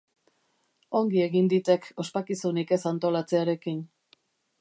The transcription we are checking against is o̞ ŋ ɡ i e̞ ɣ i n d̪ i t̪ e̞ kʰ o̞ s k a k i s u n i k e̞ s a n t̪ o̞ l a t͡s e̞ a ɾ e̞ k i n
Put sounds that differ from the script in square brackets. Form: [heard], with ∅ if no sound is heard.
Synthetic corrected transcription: o̞ ŋ ɡ i e̞ ɣ i n d̪ i t̪ e̞ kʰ o̞ s [p] a k i s u n i k e̞ s a n t̪ o̞ l a t͡s e̞ a ɾ e̞ k i n